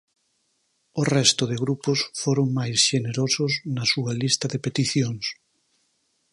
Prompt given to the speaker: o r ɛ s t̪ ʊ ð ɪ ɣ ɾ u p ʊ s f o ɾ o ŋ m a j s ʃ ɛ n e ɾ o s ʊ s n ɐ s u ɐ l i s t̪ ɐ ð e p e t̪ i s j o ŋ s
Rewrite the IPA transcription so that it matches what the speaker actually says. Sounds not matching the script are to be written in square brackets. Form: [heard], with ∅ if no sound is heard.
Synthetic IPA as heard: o r ɛ s t̪ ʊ ð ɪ ɣ ɾ u p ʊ s f o ɾ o ŋ m a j s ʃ [e] n e ɾ o s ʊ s n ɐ s u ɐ l i s t̪ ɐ ð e p e t̪ i [θ] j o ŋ s